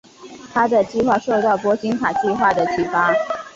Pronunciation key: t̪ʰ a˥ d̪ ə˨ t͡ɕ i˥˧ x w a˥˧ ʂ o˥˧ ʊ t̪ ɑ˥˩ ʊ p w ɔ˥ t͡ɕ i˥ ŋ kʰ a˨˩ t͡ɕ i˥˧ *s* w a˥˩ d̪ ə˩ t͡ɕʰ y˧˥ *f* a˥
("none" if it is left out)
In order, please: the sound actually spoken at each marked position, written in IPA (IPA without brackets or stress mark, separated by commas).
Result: x, f